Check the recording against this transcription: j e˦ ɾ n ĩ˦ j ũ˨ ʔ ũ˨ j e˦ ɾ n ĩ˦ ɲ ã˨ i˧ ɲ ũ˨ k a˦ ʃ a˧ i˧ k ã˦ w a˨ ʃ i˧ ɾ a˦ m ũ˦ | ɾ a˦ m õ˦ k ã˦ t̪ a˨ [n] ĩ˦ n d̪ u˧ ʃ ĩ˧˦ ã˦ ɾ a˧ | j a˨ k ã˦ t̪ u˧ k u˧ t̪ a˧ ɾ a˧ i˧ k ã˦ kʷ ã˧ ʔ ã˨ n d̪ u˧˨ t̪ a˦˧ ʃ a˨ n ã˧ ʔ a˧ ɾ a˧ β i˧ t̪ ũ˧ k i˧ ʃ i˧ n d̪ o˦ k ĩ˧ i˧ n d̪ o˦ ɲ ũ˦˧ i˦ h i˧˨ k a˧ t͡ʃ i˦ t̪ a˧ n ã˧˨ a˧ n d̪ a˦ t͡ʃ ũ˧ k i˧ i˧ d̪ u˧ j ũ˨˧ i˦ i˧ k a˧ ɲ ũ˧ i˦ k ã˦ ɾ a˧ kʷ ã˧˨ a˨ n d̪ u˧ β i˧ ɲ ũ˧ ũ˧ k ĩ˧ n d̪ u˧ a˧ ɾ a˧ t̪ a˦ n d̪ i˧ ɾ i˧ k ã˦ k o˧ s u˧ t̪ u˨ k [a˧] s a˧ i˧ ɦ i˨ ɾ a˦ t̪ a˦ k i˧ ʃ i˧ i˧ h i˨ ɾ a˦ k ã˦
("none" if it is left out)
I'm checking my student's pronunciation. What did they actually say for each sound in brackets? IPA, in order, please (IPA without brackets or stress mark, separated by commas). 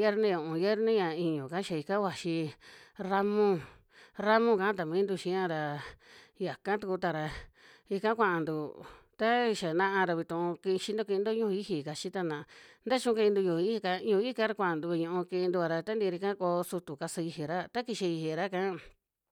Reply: m, a˧